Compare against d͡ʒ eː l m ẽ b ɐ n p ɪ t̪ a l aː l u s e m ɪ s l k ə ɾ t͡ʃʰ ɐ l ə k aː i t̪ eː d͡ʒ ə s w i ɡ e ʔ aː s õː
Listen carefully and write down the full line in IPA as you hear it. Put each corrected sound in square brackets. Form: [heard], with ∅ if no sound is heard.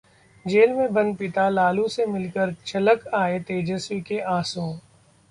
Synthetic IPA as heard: d͡ʒ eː l m ẽ b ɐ n p ɪ t̪ a l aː l u s e m ɪ [∅] l k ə ɾ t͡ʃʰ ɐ l ə k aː [e] t̪ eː d͡ʒ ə s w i [k] e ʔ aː s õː